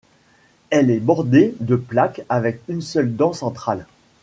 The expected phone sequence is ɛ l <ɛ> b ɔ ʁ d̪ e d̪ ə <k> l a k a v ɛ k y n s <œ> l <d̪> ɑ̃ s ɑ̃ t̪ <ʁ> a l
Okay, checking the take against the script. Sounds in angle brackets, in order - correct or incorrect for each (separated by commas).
correct, incorrect, correct, correct, incorrect